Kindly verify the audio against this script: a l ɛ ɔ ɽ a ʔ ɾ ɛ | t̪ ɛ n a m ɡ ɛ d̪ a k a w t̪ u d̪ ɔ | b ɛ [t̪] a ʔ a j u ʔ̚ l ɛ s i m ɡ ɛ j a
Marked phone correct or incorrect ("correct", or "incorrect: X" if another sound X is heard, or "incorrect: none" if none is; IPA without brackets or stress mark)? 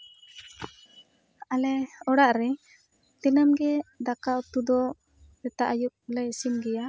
correct